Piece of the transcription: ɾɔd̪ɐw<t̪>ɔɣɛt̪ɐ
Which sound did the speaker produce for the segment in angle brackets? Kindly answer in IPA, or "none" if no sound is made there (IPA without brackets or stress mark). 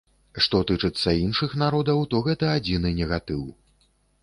t̪